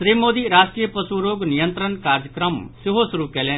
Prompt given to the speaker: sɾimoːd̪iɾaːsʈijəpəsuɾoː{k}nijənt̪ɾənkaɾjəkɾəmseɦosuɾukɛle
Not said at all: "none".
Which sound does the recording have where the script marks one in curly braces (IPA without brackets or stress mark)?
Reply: ɡ